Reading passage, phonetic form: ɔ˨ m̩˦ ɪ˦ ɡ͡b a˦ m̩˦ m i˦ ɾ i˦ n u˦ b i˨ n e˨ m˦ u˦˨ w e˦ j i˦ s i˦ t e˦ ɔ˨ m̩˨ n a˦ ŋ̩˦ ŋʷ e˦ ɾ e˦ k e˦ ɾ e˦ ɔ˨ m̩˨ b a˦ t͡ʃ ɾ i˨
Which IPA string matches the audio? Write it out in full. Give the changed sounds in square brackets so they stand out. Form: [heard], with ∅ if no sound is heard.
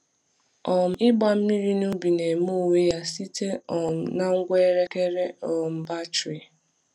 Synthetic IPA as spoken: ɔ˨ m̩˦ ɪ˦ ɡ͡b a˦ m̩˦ m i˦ ɾ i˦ n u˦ b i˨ n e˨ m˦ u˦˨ w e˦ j [a˦] s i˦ t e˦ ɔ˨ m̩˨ n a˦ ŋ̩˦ [ɡʷ] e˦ ɾ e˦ k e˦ ɾ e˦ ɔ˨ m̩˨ b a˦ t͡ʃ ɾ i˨